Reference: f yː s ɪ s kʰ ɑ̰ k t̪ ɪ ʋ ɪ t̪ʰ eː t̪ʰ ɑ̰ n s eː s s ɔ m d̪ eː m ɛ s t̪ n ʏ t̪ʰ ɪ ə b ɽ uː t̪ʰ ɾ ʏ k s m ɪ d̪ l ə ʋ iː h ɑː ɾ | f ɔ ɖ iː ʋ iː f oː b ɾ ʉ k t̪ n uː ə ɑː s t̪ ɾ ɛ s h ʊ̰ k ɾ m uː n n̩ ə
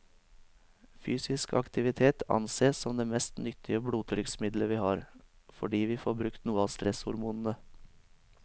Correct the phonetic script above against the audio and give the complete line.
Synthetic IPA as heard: f yː s ɪ s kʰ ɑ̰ k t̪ ɪ ʋ ɪ t̪ʰ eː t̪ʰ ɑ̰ n s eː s s ɔ m d̪ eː m ɛ s t̪ n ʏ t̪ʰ ɪ ə b ɽ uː t̪ʰ ɾ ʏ k s m ɪ d̪ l ə ʋ iː h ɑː ɾ | f ɔ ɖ iː ʋ iː f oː b ɾ ʉ k t̪ n uː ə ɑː s t̪ ɾ ɛ s h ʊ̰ ɾ m uː n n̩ ə